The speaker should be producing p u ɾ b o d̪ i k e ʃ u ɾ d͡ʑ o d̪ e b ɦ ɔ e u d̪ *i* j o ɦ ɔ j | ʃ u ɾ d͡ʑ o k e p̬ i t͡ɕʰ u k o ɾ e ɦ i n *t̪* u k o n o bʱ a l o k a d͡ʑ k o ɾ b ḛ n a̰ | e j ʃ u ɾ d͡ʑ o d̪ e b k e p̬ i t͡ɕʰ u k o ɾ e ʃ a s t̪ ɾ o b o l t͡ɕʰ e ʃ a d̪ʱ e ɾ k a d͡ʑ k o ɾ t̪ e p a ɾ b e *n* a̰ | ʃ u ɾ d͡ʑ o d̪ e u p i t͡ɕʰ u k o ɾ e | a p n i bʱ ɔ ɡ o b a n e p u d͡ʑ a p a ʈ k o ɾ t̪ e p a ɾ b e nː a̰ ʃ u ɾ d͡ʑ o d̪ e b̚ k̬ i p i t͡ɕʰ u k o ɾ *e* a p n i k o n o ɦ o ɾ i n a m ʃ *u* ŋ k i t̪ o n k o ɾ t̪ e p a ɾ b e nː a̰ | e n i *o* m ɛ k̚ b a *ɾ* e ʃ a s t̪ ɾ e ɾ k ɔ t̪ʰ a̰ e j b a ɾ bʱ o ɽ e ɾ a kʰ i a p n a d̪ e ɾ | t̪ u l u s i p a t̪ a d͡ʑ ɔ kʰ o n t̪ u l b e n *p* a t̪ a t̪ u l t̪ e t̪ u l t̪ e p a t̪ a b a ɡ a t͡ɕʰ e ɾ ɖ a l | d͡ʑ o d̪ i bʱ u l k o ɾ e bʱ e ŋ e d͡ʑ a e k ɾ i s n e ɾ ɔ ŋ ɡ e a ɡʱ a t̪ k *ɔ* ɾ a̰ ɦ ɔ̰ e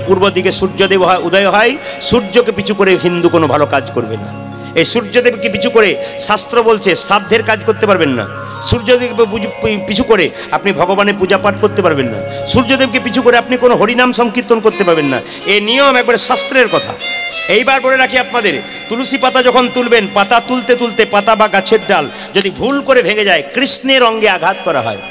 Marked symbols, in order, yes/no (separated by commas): no, no, no, yes, no, yes, yes, yes, yes